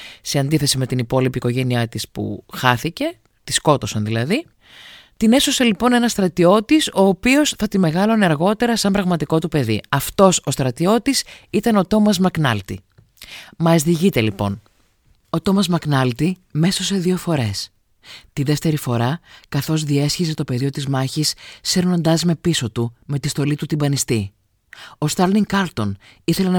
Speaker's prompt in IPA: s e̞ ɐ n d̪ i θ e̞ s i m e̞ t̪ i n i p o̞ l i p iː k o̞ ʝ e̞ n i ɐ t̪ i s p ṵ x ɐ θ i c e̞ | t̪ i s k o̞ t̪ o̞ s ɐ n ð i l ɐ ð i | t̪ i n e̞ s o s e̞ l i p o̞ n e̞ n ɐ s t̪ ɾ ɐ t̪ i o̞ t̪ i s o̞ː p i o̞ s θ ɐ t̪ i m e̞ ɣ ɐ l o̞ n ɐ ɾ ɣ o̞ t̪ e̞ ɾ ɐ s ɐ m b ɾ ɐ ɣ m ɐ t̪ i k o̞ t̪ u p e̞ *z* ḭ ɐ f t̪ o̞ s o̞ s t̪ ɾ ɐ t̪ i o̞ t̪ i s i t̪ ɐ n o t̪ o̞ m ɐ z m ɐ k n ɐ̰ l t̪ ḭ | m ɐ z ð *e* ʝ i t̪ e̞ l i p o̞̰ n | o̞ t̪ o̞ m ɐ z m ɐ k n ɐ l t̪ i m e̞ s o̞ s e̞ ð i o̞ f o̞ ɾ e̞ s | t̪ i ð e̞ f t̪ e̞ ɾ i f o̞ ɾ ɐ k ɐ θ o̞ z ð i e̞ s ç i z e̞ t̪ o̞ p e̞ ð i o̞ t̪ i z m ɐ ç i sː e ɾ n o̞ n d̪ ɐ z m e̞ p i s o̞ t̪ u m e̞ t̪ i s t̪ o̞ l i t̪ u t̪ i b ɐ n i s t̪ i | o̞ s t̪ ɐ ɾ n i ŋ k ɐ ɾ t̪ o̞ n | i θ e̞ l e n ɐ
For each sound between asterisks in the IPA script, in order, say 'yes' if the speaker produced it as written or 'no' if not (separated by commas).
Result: no, no